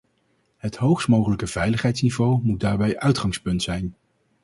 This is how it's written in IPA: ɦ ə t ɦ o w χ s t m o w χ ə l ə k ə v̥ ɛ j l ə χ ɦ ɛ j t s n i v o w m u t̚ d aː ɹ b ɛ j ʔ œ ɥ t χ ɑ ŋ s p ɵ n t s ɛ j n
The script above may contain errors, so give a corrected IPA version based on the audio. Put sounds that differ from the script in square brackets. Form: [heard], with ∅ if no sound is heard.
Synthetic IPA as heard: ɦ ə t ɦ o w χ s t m o w χ ə l ə k ə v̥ ɛ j l ə χ ɦ ɛ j t s n i v o w m u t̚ d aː ɹ b ɛ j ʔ œ ɥ t χ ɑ ŋ s p ɵ n t s ɛ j n